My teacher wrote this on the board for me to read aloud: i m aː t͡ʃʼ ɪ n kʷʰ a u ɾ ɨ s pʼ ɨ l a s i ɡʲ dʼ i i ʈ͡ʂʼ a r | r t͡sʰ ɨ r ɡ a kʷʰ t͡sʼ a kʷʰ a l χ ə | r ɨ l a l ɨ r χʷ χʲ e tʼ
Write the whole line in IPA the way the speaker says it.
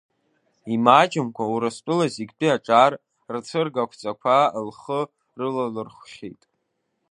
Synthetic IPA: i m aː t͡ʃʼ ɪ m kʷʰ a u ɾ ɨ s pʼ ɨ l a z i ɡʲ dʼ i a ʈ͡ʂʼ a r | r t͡sʰ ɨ r ɡ a kʷʰ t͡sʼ a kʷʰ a l χ ə | r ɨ l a l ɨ r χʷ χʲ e tʼ